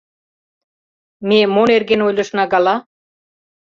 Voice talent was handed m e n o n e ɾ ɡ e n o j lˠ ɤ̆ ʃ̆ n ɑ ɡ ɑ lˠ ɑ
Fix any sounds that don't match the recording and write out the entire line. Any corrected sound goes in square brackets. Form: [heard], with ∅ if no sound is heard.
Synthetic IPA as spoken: m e [m] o n e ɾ ɡ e n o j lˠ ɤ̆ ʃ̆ n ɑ ɡ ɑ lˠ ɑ